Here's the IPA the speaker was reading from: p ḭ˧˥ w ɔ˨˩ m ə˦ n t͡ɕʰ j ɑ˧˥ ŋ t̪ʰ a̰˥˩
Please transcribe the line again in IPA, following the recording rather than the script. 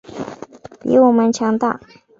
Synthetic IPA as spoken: p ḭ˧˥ w ɔ˨˩ m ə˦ n t͡ɕʰ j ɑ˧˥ ŋ t̪ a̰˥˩